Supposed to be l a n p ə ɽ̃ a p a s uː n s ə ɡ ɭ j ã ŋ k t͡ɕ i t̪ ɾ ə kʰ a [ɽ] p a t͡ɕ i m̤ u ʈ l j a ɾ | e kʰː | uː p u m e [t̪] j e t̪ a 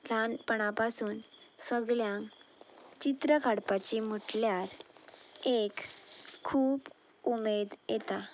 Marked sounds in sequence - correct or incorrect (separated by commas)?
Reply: correct, incorrect